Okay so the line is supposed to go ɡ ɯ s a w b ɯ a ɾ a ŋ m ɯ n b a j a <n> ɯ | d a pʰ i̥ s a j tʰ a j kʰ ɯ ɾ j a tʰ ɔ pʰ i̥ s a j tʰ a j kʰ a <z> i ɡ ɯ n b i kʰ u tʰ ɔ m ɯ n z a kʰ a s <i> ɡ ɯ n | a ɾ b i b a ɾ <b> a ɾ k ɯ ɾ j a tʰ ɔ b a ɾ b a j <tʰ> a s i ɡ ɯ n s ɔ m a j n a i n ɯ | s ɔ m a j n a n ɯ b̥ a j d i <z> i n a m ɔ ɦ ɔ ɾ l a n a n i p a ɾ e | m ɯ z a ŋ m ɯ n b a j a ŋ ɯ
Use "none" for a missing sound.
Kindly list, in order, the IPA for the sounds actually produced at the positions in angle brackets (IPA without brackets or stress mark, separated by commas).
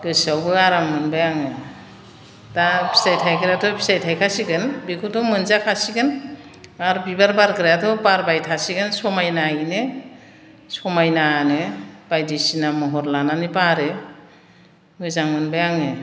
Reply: ŋ, s, i, b, tʰ, s